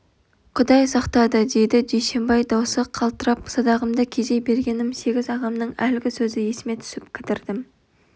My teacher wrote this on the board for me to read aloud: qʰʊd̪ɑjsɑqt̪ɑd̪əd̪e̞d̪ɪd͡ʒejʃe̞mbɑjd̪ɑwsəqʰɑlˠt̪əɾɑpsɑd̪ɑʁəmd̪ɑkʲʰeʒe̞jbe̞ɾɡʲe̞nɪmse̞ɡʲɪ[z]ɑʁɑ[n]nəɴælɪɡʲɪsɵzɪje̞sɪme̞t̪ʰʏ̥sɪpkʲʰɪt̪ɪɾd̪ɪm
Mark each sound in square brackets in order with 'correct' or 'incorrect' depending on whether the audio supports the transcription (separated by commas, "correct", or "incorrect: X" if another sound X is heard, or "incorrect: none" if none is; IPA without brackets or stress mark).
correct, incorrect: m